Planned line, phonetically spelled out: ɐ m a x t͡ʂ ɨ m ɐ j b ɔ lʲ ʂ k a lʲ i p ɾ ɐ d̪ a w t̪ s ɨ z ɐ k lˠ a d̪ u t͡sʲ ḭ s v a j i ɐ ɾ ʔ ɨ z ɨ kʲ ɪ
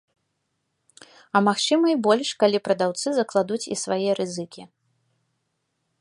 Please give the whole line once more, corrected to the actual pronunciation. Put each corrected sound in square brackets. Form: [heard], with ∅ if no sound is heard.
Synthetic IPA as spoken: ɐ m a x t͡ʂ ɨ m ɐ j b ɔ lʲ ʂ k a lʲ i p ɾ ɐ d̪ a w t̪ s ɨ z ɐ k lˠ a d̪ u t͡sʲ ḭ s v a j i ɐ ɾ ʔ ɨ z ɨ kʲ [i]